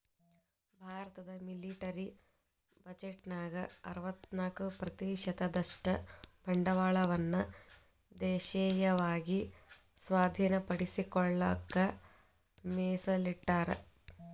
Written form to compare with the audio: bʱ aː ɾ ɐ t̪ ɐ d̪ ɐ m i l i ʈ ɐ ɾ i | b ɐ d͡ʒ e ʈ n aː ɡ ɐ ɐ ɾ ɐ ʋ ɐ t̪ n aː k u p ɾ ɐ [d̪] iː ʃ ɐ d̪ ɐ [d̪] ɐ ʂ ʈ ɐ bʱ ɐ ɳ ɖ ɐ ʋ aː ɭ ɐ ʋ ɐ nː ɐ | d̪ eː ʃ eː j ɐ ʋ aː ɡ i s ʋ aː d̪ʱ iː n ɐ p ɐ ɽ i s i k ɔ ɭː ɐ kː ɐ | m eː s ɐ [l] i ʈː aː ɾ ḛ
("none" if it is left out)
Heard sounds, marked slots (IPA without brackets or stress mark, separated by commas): t̪, d̪, l